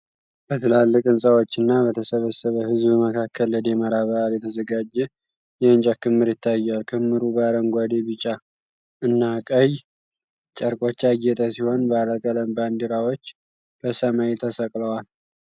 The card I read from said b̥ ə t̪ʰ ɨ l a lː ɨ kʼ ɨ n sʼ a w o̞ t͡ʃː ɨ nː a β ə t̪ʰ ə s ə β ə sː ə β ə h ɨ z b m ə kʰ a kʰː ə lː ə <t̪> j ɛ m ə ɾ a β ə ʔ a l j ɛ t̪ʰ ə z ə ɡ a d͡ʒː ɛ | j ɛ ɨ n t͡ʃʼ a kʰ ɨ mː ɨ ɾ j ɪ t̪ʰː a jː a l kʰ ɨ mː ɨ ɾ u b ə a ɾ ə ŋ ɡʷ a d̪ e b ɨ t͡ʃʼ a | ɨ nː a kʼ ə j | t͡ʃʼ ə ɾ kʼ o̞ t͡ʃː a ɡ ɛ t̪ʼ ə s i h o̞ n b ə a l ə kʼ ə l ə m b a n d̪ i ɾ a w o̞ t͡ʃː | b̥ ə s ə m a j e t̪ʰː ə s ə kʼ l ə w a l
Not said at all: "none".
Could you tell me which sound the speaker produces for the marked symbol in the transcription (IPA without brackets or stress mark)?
d̪